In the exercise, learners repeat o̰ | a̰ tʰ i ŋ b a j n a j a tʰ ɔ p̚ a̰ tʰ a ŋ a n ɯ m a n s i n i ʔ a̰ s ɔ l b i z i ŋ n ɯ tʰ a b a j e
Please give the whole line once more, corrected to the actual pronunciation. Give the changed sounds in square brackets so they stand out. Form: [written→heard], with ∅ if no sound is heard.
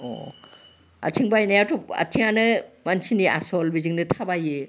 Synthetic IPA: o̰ | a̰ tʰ i ŋ b a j n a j a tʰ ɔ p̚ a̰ tʰ [a→i] ŋ a n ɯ m a n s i n i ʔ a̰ s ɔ l b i z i ŋ n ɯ tʰ a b a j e

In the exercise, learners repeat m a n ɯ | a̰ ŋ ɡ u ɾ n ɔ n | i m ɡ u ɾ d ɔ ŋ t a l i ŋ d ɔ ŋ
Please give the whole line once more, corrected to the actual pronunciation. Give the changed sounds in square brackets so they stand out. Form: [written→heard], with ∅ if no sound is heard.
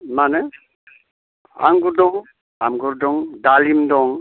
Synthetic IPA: m a n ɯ | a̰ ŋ ɡ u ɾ [n→d] ɔ [n→ŋ] | [i→a] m ɡ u ɾ d ɔ ŋ [t→d] a l i [ŋ→m] d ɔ ŋ

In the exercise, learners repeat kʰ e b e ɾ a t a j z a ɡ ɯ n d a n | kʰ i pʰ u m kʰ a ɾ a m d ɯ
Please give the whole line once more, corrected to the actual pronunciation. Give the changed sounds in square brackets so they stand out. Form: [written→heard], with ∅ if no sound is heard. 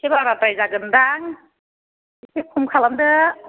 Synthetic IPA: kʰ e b [e→a] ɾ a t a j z a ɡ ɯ n d a [n→ŋ] | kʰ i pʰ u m kʰ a [ɾ→l] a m d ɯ

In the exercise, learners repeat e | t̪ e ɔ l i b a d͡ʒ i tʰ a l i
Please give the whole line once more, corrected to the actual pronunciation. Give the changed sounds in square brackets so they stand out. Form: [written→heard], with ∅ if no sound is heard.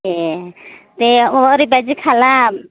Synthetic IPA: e | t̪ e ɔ [l→ɾ] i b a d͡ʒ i [tʰ→kʰ] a l [i→a]

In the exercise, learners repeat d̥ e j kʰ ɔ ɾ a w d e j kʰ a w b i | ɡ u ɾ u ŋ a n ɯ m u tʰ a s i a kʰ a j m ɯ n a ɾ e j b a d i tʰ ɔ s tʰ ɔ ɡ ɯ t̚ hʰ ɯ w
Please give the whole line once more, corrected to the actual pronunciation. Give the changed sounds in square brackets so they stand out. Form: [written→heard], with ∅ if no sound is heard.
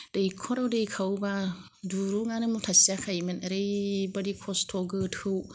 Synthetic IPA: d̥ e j kʰ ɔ ɾ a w d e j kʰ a w b [i→a] | [ɡ→d] u ɾ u ŋ a n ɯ m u tʰ a s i a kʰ a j m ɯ n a ɾ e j b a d i [tʰ→kʰ] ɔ s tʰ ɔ ɡ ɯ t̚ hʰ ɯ w

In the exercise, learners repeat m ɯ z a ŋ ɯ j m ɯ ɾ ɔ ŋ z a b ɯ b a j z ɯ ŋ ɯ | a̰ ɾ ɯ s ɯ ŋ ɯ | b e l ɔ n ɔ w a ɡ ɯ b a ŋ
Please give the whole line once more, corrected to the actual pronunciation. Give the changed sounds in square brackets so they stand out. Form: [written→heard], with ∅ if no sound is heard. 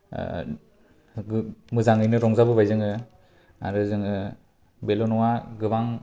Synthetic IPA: m ɯ z a ŋ ɯ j [m→n] ɯ ɾ ɔ ŋ z a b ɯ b a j z ɯ ŋ ɯ | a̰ ɾ ɯ [s→z] ɯ ŋ ɯ | b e l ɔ n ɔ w a ɡ ɯ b a ŋ

